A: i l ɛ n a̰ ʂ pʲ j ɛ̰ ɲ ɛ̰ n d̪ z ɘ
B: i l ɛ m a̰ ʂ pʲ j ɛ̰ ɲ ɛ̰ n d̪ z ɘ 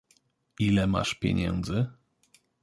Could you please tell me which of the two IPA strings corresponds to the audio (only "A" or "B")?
B